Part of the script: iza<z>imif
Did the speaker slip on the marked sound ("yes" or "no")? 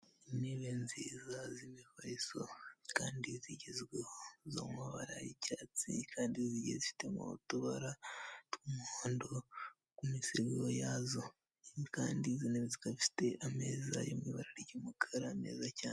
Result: no